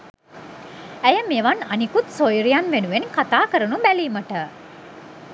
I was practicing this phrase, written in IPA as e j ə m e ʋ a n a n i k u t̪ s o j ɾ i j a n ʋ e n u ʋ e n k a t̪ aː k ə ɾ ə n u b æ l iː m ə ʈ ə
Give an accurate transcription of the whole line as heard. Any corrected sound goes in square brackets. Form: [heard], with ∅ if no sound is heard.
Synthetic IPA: [æ] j ə m e ʋ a n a n i k u t̪ s o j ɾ i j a n ʋ e n u ʋ e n k a t̪ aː k ə ɾ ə n u b æ l iː m ə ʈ ə